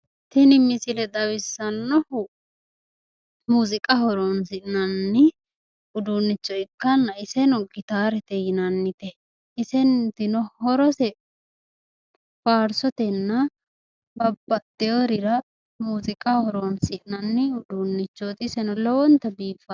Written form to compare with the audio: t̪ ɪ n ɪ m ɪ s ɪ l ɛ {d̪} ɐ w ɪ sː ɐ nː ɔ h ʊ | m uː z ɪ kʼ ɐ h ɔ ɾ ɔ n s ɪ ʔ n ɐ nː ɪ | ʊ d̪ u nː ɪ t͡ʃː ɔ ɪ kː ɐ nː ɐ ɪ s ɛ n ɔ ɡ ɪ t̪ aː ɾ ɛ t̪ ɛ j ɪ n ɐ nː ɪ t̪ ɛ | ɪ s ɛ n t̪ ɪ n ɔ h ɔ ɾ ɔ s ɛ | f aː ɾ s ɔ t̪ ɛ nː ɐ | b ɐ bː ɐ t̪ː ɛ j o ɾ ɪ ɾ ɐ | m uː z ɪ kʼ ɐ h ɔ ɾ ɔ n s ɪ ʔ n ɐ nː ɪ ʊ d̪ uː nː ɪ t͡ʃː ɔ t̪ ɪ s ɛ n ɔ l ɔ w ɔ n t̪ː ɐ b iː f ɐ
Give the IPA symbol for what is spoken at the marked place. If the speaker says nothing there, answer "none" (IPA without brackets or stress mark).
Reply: d̪